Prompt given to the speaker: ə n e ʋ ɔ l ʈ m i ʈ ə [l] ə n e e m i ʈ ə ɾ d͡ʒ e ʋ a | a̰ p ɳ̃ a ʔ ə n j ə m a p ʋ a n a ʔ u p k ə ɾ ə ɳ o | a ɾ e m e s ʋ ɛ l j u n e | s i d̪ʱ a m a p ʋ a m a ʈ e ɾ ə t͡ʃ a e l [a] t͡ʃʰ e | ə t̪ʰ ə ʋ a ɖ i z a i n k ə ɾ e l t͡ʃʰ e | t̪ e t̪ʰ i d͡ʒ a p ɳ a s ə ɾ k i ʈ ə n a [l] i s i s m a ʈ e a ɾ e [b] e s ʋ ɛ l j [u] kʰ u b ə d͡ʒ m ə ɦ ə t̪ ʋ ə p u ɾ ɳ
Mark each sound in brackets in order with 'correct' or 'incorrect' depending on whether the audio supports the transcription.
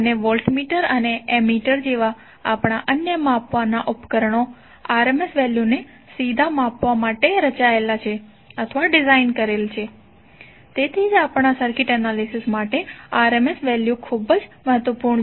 incorrect, correct, correct, incorrect, correct

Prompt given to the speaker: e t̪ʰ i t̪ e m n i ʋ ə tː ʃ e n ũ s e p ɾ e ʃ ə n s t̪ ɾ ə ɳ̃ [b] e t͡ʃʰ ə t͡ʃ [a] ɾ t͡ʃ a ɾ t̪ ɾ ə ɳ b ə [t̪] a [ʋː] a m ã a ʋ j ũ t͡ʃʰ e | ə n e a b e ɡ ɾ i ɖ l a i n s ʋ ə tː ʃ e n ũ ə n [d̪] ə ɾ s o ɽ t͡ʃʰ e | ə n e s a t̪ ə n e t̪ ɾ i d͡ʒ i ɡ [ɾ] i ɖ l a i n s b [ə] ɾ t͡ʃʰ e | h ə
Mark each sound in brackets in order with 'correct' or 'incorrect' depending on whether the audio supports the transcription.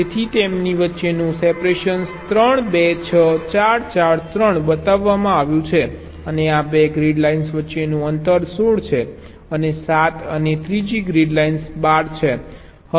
correct, correct, correct, correct, incorrect, correct, incorrect

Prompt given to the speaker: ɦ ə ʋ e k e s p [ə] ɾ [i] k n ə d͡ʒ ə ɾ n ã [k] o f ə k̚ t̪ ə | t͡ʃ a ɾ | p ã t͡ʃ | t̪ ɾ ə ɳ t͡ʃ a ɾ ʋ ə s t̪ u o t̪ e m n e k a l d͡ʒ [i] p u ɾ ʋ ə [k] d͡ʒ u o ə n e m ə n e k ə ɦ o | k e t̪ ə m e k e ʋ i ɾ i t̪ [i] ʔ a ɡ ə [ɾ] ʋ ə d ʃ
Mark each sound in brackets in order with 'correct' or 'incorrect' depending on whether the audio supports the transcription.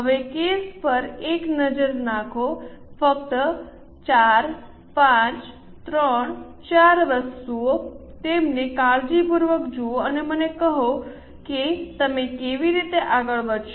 correct, incorrect, incorrect, correct, correct, incorrect, incorrect

